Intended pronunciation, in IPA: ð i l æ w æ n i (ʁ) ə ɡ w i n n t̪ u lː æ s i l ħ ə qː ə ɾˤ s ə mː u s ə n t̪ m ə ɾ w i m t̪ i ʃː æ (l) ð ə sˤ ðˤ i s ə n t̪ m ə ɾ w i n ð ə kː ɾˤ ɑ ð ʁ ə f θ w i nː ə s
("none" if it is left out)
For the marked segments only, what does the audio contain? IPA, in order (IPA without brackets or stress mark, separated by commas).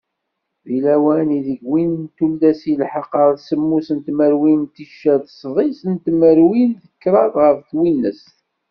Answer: ð, none